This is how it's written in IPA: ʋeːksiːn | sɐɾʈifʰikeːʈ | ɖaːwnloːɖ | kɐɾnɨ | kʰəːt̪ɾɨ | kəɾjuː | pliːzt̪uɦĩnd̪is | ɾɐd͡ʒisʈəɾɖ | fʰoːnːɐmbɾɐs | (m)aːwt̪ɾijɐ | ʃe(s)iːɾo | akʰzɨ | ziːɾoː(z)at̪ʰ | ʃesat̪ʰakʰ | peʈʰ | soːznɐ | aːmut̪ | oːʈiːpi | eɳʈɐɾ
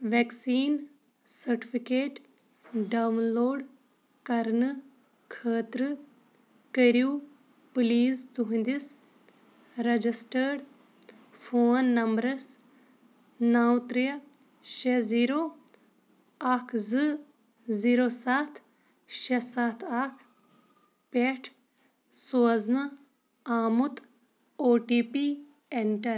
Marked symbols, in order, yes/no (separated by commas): no, no, no